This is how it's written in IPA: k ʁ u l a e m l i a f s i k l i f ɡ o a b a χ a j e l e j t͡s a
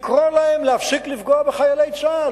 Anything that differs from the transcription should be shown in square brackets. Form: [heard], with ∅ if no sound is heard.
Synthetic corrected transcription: k ʁ [o] l a e m l [e] a f s i k l i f ɡ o a b [e] χ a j [a] l e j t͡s a